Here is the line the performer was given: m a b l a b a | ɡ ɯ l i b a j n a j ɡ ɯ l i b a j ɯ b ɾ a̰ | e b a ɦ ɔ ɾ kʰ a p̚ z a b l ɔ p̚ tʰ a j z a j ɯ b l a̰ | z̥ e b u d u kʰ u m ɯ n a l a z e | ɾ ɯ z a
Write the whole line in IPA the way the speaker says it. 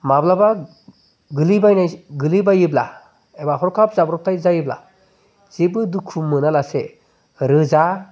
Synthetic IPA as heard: m a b l a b a | ɡ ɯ l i b a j n a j ɡ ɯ l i b a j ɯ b l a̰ | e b a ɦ ɔ ɾ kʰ a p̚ z a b ɾ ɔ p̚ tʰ a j z a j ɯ b l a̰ | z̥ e b ɯ d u kʰ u m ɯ n a l a s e | ɾ ɯ z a